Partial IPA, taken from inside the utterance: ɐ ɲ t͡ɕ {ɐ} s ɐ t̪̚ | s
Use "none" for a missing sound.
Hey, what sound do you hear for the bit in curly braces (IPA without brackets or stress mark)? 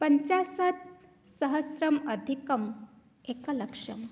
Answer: a